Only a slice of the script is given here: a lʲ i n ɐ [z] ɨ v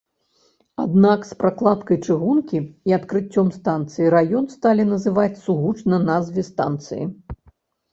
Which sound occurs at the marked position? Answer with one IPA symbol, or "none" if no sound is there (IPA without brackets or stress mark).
z